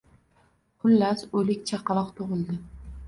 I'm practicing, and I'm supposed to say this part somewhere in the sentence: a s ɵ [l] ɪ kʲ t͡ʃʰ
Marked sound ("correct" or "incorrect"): correct